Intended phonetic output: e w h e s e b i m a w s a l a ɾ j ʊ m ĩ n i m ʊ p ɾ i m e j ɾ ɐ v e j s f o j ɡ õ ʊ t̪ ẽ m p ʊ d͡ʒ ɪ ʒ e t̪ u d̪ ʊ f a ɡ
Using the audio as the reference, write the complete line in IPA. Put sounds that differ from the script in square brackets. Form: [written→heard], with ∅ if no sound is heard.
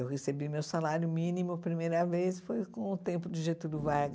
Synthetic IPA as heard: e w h e s e b i m [a→e] w s a l a ɾ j ʊ m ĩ n i m ʊ p ɾ i m e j ɾ ɐ v e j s f o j [ɡ→k] õ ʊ t̪ ẽ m p ʊ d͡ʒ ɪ ʒ e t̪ u d̪ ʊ [f→v] a ɡ

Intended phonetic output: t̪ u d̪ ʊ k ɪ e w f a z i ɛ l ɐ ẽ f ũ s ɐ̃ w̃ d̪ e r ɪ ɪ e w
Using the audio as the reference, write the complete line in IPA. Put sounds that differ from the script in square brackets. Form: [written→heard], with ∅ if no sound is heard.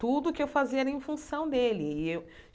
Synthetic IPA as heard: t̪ u d̪ ʊ k ɪ e w f a z i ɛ [l→ɾ] ɐ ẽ f ũ s ɐ̃ w̃ d̪ e [r→l] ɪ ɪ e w

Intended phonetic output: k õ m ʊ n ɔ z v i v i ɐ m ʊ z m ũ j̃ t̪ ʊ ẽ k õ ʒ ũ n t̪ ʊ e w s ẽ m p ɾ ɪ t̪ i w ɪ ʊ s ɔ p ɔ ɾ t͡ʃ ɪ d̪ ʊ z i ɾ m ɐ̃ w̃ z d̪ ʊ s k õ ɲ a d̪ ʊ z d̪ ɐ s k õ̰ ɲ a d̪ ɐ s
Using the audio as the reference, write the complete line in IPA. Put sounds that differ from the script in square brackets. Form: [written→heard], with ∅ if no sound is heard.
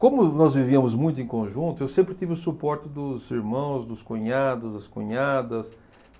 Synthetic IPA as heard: k õ m ʊ n ɔ z v i v i ɐ m ʊ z m ũ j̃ t̪ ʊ ẽ k õ ʒ ũ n t̪ ʊ e w s ẽ m p ɾ ɪ t̪ i [w→v] ɪ ʊ s [ɔ→u] p ɔ ɾ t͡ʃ ɪ d̪ ʊ z i ɾ m ɐ̃ w̃ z d̪ ʊ s k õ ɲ a d̪ ʊ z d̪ ɐ s k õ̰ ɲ a d̪ ɐ s

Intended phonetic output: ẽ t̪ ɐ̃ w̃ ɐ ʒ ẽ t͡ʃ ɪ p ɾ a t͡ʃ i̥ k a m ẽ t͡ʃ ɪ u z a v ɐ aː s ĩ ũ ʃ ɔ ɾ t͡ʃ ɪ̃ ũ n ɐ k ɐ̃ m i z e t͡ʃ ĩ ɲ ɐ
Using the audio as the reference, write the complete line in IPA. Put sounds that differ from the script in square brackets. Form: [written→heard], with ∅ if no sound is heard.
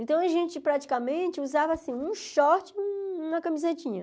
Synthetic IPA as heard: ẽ t̪ ɐ̃ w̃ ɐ ʒ ẽ t͡ʃ ɪ p ɾ a t͡ʃ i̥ k a m ẽ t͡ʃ ɪ u z a v ɐ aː s ĩ ũ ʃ ɔ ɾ t͡ʃ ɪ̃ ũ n ɐ k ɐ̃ m i z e t͡ʃ ĩ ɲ ɐ

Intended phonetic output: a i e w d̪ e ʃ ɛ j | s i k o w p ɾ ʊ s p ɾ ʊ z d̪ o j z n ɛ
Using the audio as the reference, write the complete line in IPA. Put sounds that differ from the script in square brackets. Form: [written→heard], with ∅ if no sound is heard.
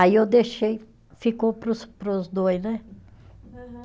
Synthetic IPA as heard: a i e w d̪ e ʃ [ɛ→e] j | [s→f] i k o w p ɾ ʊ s p ɾ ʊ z d̪ o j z n ɛ

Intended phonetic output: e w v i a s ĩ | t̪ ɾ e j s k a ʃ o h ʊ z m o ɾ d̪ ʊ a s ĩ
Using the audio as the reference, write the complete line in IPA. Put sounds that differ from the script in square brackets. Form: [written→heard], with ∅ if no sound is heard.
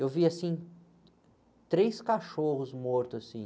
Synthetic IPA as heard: e w v i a s ĩ | t̪ ɾ e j s k a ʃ o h ʊ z m o ɾ [d̪→t̪] ʊ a s ĩ

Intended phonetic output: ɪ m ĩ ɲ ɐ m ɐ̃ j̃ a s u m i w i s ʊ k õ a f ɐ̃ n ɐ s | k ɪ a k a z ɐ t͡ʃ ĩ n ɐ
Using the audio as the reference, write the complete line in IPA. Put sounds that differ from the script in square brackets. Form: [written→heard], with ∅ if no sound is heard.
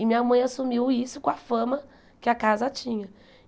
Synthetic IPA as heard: ɪ m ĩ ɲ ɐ m ɐ̃ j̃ a s u m i w i s ʊ k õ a f ɐ̃ [n→m] ɐ [s→∅] | k ɪ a k a z ɐ t͡ʃ ĩ [n→ɲ] ɐ

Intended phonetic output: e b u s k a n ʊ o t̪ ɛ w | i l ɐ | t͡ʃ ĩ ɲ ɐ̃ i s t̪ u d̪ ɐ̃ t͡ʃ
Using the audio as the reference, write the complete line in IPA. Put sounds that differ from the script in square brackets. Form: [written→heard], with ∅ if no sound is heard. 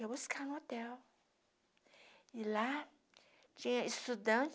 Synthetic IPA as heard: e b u s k a n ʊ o t̪ ɛ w | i l [ɐ→a] | t͡ʃ ĩ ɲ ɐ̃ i s t̪ u d̪ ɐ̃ t͡ʃ

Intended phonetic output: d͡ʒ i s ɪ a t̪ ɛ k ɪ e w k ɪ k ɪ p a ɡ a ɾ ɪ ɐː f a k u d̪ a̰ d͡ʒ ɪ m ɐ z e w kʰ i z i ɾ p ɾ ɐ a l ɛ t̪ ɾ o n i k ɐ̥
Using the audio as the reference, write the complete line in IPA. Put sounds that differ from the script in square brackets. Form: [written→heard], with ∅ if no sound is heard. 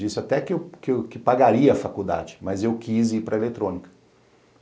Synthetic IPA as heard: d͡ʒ i s ɪ a t̪ ɛ k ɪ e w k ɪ k ɪ p a ɡ a ɾ [ɪ→i] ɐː f a k u d̪ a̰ d͡ʒ ɪ m ɐ z e w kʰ i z i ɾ p ɾ ɐ [a→e] l [ɛ→e] t̪ ɾ [o→õ] n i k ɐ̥

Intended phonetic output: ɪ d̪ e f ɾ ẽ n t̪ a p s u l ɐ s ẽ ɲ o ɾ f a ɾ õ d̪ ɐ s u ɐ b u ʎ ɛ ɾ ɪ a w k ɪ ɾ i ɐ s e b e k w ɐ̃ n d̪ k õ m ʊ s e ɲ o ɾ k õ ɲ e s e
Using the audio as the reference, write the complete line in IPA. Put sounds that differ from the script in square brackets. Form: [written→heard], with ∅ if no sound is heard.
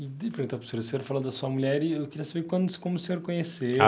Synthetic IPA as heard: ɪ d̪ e f ɾ ẽ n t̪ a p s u [l→ɾ] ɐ s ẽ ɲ o ɾ f a [ɾ→l] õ d̪ ɐ s u ɐ [b→m] u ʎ ɛ ɾ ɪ [a→e] w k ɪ ɾ i ɐ s [e→a] b e k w ɐ̃ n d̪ k õ m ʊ s e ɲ o ɾ k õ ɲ e s e

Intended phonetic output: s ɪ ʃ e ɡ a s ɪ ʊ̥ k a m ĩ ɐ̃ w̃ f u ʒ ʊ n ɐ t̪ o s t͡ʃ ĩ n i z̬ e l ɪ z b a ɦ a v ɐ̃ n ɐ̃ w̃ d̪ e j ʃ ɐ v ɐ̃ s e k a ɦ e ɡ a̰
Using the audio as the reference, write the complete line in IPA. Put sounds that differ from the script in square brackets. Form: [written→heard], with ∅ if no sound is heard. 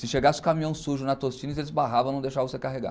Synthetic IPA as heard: s ɪ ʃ e ɡ a s ɪ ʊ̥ k a m ĩ ɐ̃ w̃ [f→s] u ʒ ʊ n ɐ t̪ o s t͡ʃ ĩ n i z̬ e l ɪ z b a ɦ a v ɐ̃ n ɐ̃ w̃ d̪ e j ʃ [ɐ→a] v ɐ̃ s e k a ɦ e ɡ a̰

